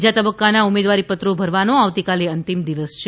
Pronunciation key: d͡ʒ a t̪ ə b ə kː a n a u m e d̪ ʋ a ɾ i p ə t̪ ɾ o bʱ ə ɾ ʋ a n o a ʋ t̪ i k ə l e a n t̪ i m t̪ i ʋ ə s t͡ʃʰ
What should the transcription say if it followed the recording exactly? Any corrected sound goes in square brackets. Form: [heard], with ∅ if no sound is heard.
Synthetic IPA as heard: d͡ʒ a t̪ ə b ə kː a n a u m e d̪ ʋ a ɾ i p ə t̪ ɾ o bʱ ə ɾ ʋ a n o a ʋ t̪ i k [a] l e [ə] n t̪ i m [d̪] i ʋ ə s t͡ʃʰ